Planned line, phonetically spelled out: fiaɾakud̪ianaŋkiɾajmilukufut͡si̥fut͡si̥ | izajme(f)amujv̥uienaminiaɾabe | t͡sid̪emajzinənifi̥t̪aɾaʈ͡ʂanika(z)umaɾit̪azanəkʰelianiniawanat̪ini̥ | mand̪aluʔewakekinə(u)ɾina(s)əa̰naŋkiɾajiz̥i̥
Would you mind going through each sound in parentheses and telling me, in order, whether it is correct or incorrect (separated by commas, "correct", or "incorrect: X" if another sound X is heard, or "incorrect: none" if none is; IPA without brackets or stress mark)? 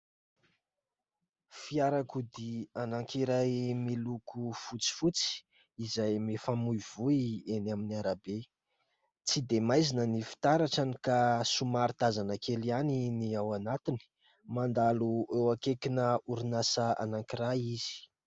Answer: correct, incorrect: s, correct, correct